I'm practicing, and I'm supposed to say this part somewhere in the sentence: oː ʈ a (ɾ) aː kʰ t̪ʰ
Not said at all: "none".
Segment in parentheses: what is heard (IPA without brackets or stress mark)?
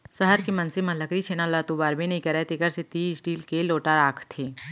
ɾ